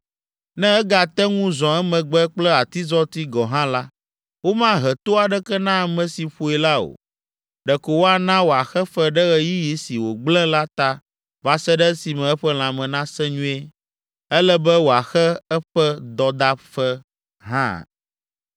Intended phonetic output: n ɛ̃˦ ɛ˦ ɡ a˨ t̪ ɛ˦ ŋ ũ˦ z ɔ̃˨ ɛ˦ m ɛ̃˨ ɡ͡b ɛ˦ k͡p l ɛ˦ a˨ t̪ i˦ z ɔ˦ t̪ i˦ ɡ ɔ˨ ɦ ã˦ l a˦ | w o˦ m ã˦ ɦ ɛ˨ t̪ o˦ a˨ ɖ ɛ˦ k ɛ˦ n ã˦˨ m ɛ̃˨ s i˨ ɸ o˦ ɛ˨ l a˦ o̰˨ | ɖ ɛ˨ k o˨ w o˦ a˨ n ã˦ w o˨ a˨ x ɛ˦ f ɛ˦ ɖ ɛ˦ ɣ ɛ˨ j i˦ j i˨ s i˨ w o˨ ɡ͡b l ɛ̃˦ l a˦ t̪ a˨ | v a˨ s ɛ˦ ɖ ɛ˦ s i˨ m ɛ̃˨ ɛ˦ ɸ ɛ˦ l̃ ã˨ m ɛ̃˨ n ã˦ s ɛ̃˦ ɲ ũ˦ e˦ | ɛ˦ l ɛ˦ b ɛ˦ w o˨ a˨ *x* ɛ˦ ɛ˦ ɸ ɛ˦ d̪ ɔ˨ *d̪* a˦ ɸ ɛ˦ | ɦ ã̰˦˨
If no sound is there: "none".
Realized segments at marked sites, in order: x, d̪

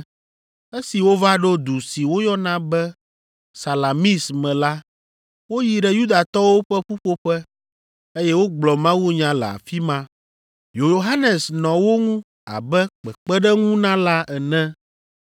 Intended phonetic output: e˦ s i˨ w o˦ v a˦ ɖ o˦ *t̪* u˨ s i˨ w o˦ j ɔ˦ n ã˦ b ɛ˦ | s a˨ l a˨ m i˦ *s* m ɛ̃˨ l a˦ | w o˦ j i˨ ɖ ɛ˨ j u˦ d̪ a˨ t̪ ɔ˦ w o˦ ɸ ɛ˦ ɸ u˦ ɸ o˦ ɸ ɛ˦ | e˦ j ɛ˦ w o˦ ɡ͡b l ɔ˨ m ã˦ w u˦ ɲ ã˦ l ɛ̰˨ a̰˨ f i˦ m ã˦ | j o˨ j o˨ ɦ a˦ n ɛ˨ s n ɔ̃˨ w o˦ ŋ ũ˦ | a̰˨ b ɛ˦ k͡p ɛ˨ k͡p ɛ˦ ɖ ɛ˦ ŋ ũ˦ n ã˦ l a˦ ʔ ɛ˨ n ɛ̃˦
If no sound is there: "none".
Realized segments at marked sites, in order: d̪, s

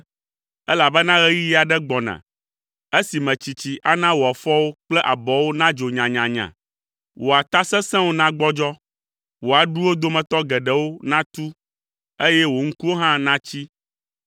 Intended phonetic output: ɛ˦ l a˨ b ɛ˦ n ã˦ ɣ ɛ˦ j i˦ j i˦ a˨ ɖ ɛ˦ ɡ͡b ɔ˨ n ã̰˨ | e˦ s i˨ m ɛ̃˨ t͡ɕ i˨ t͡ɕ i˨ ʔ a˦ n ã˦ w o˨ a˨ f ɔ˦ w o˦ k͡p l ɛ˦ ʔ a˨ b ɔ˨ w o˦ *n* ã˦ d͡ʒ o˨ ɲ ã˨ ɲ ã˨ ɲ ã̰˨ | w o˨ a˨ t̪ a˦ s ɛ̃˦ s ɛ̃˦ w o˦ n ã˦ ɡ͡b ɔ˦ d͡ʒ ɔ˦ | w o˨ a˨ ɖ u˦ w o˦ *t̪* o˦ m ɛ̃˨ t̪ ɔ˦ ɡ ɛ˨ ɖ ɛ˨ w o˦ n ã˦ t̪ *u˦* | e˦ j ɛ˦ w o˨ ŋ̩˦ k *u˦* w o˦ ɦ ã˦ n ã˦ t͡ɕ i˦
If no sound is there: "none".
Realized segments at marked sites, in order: n, d̪, u˦, u˦

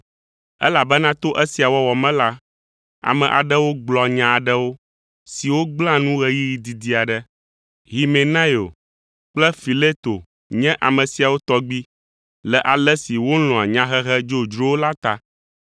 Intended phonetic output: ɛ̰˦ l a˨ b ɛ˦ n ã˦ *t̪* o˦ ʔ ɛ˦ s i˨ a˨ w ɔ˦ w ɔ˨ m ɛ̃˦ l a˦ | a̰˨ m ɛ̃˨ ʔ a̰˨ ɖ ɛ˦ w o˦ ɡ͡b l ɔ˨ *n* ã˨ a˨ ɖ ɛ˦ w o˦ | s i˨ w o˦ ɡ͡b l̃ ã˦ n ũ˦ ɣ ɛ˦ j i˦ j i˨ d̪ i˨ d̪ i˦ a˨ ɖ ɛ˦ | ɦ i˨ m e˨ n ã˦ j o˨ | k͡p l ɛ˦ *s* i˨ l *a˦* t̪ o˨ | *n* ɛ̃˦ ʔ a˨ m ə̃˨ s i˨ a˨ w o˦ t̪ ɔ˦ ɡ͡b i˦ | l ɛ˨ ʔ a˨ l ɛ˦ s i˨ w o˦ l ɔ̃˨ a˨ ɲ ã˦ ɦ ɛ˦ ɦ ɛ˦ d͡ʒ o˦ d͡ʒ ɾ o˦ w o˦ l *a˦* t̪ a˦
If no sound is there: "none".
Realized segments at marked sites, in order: t̪, ɲ, f, e˦, ɲ, a˦

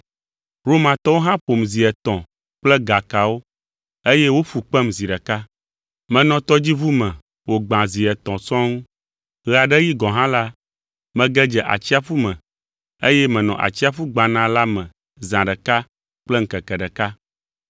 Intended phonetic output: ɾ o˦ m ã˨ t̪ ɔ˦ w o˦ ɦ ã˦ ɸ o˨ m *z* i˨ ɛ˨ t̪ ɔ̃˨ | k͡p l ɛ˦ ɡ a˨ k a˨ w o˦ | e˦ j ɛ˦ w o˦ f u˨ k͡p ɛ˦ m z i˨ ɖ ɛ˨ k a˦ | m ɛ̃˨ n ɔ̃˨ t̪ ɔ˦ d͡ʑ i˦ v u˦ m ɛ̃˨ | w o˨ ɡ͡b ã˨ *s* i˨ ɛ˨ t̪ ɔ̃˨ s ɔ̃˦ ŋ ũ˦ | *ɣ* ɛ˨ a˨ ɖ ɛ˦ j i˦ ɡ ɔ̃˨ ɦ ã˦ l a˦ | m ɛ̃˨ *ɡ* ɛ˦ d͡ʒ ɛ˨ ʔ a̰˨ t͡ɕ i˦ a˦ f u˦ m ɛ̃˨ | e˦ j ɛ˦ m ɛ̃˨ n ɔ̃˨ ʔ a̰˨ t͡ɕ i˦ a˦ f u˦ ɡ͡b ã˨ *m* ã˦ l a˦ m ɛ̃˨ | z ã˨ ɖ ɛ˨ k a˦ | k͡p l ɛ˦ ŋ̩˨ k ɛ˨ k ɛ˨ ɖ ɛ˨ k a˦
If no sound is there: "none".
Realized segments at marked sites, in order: z, z, ɣ, ɡ, n

